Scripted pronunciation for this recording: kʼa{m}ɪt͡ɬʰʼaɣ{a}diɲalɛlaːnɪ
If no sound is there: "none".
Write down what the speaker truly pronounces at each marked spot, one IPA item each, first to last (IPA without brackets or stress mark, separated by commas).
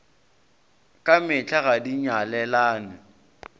m, a